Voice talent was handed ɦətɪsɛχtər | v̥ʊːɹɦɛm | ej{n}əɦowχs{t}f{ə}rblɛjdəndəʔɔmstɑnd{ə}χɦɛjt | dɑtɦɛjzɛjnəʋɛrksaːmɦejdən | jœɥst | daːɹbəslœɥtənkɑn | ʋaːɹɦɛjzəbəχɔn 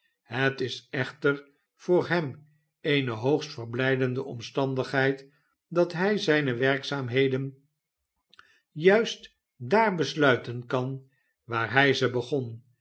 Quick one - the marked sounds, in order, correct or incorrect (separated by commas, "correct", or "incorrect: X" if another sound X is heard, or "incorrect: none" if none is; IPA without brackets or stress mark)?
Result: correct, correct, correct, correct